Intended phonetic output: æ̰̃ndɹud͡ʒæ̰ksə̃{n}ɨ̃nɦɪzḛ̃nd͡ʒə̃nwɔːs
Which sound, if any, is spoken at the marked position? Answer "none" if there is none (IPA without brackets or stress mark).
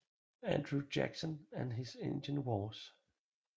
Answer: n